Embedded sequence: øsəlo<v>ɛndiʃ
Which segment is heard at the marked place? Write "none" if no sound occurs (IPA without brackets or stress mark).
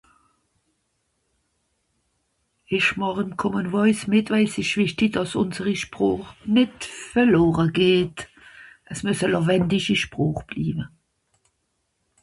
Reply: v